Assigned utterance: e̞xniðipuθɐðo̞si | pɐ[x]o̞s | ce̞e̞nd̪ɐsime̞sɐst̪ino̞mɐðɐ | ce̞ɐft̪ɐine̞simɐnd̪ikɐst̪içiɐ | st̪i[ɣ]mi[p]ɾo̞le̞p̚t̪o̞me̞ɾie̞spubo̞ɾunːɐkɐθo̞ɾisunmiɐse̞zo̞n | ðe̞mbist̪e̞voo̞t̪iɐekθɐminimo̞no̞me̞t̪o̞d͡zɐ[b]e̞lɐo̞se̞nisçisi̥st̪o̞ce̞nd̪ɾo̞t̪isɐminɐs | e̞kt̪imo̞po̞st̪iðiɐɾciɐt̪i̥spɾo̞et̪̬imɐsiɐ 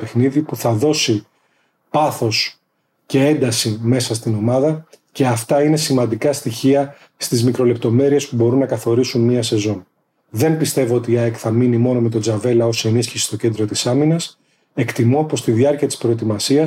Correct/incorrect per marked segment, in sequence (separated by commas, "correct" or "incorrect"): incorrect, incorrect, incorrect, incorrect